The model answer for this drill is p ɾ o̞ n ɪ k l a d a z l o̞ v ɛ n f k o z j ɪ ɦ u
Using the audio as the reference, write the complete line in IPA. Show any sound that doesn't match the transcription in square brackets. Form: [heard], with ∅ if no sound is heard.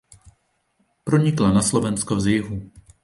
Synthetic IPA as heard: p ɾ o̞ [ɲ] ɪ k l a [n] a [s] l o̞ v ɛ n [s] k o z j ɪ ɦ u